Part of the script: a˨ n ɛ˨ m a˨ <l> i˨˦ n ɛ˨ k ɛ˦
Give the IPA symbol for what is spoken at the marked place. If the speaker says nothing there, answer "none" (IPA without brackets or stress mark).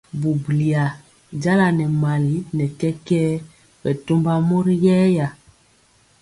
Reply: l